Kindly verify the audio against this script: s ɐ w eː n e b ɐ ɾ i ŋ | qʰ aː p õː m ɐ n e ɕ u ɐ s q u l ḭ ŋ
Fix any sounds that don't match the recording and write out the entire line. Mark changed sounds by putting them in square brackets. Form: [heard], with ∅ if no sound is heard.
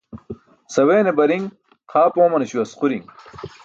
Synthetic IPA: s ɐ w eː n e b ɐ ɾ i ŋ | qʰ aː p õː m ɐ n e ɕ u ɐ s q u [ɾ] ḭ ŋ